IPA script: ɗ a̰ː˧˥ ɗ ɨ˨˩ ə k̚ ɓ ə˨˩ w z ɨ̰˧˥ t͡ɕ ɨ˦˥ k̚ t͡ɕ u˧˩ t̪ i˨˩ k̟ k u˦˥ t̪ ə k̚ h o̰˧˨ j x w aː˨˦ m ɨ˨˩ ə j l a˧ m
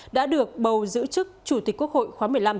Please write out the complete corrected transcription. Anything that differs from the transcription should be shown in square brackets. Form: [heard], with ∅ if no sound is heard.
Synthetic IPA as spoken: ɗ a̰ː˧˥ ɗ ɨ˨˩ ə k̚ ɓ ə˨˩ w z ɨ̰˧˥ t͡ɕ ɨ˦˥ k̚ t͡ɕ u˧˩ t̪ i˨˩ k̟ k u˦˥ [∅] ə k̚ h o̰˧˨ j x w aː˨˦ m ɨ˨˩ ə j l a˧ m